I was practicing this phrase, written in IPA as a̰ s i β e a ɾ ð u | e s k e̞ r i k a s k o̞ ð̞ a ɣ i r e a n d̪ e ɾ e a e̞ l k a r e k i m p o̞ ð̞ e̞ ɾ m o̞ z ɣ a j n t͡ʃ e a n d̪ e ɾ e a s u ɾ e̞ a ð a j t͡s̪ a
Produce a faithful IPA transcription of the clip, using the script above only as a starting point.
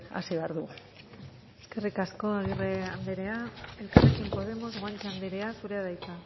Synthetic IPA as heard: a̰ s i β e a ɾ ð u | e s k e̞ r i k a s k o̞ a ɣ i r e a n d̪ e ɾ e a e̞ l k a r e k i m p o̞ ð̞ e̞ m o̞ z ɣ a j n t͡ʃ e a n d̪ e ɾ e a s u ɾ e̞ a ð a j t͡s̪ a